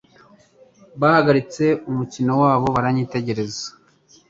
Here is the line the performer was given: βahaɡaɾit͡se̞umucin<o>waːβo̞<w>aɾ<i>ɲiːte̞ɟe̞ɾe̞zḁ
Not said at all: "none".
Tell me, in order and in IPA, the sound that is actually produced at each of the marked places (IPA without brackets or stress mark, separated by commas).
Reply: o, β, a